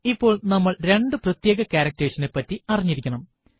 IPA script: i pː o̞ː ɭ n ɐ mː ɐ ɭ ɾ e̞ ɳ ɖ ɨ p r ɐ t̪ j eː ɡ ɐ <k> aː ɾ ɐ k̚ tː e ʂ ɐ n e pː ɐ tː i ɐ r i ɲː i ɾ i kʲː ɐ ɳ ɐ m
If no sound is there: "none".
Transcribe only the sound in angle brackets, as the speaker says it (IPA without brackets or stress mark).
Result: k